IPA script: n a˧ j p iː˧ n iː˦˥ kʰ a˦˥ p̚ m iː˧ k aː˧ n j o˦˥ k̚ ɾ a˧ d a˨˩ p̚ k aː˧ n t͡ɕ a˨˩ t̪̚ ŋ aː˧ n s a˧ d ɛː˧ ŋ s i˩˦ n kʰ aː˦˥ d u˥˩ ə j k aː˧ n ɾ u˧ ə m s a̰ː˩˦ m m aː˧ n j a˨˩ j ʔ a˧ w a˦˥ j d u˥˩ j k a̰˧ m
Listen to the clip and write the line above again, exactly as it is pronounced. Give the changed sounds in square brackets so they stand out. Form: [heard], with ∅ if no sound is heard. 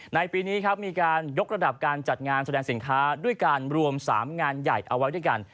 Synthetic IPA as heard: n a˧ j p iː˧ n iː˦˥ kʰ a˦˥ p̚ m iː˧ k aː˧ n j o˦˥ k̚ ɾ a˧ d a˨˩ p̚ k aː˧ n t͡ɕ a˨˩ t̪̚ ŋ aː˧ n s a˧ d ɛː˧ ŋ s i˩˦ n kʰ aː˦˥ d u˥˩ ə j k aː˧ n ɾ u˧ ə m s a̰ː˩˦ m [ŋ] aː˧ n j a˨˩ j ʔ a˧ w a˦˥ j d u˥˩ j k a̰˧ [n]